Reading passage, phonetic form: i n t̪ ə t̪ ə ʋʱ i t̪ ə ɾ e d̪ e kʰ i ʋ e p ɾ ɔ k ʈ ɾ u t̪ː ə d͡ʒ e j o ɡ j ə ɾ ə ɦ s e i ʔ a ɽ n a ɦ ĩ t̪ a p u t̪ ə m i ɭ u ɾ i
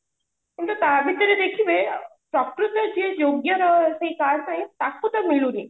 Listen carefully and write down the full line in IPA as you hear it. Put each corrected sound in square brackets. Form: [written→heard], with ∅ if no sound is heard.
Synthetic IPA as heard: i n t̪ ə t̪ [ə→a] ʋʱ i t̪ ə ɾ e d̪ e kʰ i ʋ e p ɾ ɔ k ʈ ɾ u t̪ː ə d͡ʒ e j o ɡ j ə ɾ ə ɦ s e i [ʔ→k] a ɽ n a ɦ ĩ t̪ a [p→k] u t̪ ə m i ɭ u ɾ i

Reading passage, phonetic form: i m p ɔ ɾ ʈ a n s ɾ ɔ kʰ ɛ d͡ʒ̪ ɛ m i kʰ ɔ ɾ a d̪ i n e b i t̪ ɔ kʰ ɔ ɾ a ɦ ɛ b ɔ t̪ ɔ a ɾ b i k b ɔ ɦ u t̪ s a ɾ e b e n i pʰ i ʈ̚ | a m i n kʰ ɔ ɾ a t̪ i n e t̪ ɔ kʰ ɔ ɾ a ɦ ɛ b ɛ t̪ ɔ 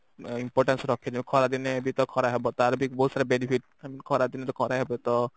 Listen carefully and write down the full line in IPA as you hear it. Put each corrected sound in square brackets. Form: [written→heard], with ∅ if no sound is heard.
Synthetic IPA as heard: i m p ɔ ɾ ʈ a n s ɾ ɔ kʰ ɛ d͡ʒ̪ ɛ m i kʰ ɔ ɾ a d̪ i n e b i t̪ ɔ kʰ ɔ ɾ a ɦ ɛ b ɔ t̪ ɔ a ɾ b i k b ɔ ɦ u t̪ s a ɾ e b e n i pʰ i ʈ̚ | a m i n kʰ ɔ ɾ a [t̪→d̪] i n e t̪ ɔ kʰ ɔ ɾ a ɦ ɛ b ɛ t̪ ɔ

